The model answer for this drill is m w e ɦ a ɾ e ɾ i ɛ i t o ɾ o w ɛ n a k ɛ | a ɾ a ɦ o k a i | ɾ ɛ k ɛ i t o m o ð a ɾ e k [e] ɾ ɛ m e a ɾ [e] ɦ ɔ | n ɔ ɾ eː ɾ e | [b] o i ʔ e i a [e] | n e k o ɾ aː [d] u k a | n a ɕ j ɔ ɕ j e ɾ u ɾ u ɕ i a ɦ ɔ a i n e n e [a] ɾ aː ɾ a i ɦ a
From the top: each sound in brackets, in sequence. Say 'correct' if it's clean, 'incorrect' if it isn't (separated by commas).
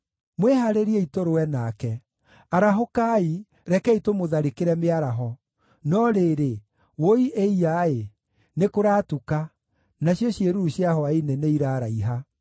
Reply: correct, incorrect, incorrect, correct, incorrect, incorrect